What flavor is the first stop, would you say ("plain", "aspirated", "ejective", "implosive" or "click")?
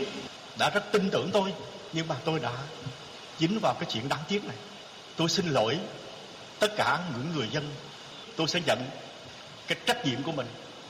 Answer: implosive